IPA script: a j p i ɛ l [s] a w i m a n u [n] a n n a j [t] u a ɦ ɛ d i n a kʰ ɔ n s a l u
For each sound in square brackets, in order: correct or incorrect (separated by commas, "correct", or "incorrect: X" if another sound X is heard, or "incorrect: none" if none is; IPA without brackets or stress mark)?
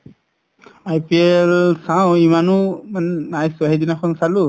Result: correct, incorrect: m, incorrect: s